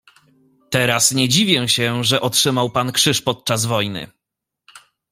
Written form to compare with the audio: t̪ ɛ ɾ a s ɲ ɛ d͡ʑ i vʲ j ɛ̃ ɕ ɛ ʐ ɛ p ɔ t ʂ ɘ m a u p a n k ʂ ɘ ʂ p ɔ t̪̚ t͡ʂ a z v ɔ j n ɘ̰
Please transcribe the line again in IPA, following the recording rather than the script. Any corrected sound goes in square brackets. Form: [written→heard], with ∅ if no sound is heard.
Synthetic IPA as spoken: t̪ ɛ ɾ a s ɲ ɛ d͡ʑ i vʲ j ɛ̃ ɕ ɛ ʐ ɛ [p→ʔ] ɔ t ʂ ɘ m a [u→w] p a n k ʂ ɘ ʂ p ɔ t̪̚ t͡ʂ a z v ɔ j n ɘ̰